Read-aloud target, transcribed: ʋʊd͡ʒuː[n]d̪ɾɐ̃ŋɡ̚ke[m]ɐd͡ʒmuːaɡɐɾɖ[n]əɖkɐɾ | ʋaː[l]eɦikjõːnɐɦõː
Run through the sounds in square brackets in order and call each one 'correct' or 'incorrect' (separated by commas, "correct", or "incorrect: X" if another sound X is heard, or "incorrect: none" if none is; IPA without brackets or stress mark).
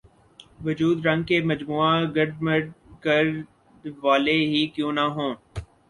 incorrect: none, correct, incorrect: m, correct